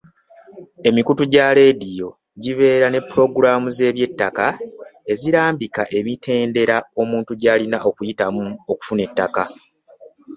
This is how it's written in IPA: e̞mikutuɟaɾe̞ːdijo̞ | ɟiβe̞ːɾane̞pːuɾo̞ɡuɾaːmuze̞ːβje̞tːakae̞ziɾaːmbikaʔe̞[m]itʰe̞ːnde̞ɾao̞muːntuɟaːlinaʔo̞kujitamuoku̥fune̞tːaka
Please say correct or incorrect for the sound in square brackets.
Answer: correct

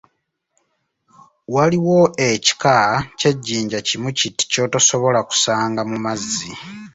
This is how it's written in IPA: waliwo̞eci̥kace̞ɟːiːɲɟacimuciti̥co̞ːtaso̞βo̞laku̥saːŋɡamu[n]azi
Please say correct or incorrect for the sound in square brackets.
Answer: incorrect: m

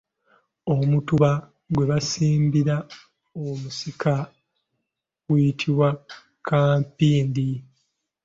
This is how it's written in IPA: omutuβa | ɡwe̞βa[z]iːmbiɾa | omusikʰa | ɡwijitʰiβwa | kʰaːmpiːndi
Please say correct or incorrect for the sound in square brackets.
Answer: incorrect: s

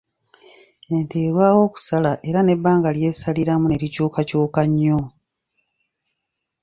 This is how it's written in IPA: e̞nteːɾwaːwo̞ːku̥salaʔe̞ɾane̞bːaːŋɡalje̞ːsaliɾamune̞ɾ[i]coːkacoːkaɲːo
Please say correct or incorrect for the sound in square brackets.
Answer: correct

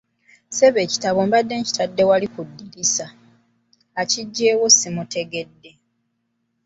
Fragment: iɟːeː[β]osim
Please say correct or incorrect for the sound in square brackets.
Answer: incorrect: w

